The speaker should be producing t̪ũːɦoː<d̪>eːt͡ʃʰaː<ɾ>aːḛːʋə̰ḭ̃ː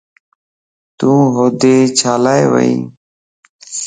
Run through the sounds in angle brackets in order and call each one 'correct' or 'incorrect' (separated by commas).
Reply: correct, incorrect